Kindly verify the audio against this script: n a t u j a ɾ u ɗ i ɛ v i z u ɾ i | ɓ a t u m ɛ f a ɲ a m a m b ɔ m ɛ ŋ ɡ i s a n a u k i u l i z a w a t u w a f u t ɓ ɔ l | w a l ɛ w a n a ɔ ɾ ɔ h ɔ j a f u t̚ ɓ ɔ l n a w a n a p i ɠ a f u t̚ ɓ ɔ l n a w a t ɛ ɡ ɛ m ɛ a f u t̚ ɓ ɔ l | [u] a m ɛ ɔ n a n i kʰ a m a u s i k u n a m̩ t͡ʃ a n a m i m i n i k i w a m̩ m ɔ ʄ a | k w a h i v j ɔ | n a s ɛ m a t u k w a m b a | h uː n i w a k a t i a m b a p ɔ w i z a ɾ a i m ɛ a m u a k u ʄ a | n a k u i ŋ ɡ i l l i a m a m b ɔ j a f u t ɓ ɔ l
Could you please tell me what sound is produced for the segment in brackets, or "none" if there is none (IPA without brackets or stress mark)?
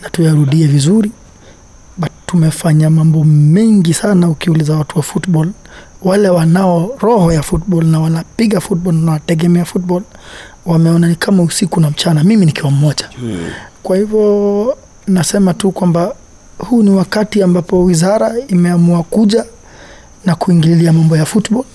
w